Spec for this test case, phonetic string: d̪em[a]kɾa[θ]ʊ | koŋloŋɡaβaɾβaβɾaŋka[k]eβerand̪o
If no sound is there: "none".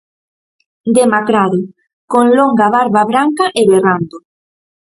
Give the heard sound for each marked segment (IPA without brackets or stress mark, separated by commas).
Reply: a, ð, ʔ